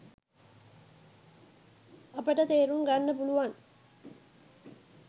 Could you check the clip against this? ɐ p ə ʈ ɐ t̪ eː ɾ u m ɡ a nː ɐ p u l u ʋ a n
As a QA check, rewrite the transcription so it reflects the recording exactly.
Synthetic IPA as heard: ɐ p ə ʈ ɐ t̪ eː ɾ u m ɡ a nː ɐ p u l u ʋ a n